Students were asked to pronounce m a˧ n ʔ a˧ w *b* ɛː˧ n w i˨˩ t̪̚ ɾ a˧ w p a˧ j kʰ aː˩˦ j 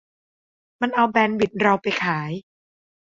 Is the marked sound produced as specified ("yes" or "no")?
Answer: yes